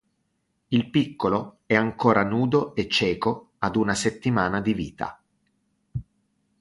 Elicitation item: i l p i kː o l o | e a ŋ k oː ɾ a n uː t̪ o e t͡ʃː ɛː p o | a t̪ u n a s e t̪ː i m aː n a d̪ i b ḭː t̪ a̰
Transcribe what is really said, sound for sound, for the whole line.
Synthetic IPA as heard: i l p i kː o l o | ɛ a ŋ k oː ɾ a n uː d̪ o e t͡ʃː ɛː k o | a d̪ u n a s e t̪ː i m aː n a d̪ i v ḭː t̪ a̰